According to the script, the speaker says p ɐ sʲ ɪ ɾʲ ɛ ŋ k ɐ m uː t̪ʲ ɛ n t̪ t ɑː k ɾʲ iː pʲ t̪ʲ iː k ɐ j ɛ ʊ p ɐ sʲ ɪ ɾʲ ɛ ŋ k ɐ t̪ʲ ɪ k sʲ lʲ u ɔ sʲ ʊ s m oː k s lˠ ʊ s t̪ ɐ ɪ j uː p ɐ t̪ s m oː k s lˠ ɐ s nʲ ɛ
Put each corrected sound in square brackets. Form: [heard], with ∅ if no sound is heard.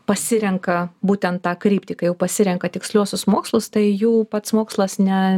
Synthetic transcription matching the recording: p ɐ sʲ ɪ ɾʲ ɛ ŋ k ɐ [b] uː t̪ʲ ɛ n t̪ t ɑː k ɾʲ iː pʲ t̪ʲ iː k ɐ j ɛ ʊ p ɐ sʲ ɪ ɾʲ ɛ ŋ k ɐ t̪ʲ ɪ k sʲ lʲ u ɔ sʲ ʊ s m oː k s lˠ ʊ s t̪ ɐ ɪ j uː p ɐ t̪ s m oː k s lˠ ɐ s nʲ ɛ